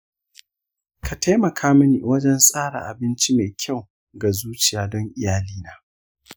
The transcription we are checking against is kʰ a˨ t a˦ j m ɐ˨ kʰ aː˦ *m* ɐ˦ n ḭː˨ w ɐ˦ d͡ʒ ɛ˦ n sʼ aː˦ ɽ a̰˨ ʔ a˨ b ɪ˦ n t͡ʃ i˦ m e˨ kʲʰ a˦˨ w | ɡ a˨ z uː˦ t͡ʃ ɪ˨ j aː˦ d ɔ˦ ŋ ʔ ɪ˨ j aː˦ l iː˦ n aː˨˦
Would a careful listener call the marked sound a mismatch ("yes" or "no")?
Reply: no